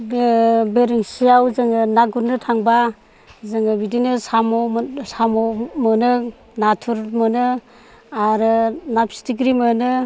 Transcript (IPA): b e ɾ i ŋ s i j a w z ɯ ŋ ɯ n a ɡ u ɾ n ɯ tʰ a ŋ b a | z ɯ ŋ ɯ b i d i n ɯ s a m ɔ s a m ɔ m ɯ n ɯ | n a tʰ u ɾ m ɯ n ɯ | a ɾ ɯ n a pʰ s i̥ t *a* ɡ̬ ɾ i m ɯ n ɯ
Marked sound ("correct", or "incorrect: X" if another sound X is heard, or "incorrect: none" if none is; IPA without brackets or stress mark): incorrect: i